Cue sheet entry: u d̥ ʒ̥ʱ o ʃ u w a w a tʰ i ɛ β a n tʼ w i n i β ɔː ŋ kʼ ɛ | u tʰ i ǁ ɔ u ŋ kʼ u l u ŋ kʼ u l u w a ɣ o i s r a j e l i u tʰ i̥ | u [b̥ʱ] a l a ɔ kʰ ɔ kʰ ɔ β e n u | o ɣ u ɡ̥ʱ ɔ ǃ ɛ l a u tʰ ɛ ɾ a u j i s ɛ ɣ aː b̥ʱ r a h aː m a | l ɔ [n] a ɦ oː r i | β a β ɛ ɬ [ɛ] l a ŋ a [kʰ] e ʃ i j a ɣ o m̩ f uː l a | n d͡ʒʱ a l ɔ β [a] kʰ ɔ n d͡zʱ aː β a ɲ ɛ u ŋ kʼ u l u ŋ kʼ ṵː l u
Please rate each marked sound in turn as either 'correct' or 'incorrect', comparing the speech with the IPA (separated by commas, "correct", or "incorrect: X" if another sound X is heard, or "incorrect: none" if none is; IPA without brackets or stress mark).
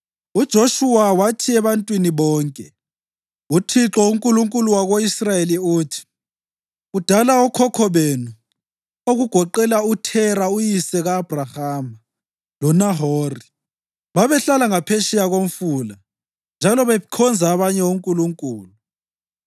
incorrect: d̥ʱ, correct, incorrect: a, incorrect: pʰ, incorrect: ɛ